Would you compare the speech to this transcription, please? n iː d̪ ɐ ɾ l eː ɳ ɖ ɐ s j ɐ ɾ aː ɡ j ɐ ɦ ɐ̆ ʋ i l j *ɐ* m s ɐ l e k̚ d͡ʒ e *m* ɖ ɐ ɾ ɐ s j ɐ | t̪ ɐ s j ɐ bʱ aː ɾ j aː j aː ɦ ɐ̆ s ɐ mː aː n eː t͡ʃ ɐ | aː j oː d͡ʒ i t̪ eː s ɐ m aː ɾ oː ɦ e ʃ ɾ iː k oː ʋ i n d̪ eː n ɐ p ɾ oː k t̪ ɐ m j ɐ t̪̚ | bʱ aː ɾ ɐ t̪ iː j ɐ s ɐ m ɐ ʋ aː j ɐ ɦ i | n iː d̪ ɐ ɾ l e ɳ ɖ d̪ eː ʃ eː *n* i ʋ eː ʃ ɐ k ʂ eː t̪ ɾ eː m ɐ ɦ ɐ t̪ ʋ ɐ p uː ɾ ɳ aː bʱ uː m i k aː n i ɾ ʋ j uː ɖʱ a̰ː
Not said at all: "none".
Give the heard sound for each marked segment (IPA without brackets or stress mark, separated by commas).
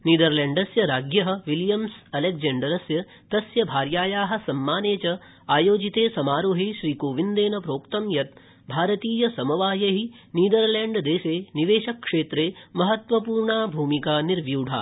ɐ, ɳ, n